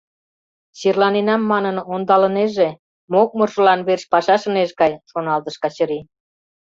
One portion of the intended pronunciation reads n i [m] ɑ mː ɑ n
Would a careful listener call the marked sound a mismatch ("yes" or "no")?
yes